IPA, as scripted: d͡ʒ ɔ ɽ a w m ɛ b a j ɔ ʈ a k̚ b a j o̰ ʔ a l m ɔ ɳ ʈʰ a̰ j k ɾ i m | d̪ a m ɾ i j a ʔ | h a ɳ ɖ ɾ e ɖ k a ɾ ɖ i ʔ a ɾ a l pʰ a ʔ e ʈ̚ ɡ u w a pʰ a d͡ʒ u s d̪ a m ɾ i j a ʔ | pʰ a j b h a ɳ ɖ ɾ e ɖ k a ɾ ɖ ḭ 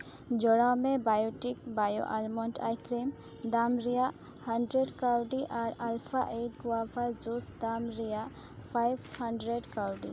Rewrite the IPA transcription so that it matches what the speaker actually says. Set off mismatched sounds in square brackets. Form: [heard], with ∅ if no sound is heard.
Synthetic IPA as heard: d͡ʒ ɔ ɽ a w m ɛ b a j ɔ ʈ [i] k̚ b a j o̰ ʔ a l m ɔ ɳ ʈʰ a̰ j k ɾ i m | d̪ a m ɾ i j a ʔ | h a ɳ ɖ ɾ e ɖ k a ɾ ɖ i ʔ a ɾ a l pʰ a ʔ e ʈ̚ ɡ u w a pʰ a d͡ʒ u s d̪ a m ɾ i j a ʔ | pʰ a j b h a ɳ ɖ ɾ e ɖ k a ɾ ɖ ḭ